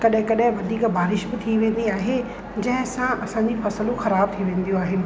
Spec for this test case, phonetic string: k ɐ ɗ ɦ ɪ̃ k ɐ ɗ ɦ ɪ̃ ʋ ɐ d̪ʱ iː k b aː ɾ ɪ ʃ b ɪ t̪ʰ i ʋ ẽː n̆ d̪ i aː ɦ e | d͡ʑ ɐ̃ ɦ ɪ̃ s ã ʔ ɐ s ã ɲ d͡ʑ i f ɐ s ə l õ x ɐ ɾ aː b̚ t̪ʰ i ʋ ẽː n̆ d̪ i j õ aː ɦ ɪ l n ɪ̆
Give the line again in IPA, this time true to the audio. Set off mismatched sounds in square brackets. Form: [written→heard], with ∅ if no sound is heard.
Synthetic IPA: k ɐ ɗ ɦ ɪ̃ k ɐ ɗ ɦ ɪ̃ ʋ ɐ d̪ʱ iː k b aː ɾ ɪ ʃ b ɪ t̪ʰ i ʋ ẽː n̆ d̪ i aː ɦ e | d͡ʑ ɐ̃ ɦ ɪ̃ s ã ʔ ɐ s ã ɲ d͡ʑ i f ɐ s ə l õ x ɐ ɾ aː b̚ t̪ʰ i ʋ ẽː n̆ d̪ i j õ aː ɦ ɪ [l→∅] n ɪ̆